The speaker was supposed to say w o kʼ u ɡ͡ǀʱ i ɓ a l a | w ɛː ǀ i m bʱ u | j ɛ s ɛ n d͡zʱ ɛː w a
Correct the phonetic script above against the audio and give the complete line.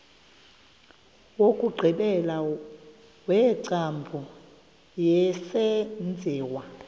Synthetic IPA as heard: w o kʼ u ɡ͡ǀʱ i ɓ ɛ l a | w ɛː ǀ a m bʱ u | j ɛ s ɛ n d͡zʱ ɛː w a